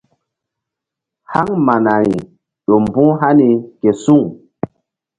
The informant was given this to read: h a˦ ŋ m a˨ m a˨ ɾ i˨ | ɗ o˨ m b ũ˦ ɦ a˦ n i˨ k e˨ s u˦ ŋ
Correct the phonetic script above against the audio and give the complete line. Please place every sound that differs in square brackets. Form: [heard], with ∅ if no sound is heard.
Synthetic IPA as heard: h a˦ ŋ m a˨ [n] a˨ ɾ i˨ | ɗ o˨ m b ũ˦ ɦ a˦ n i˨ k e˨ s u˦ ŋ